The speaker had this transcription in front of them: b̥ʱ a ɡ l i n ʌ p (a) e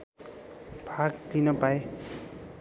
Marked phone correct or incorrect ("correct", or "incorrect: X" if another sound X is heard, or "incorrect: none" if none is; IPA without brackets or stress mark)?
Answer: correct